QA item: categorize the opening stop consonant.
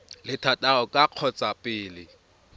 aspirated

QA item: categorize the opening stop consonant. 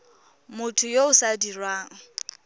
aspirated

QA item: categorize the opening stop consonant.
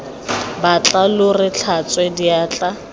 plain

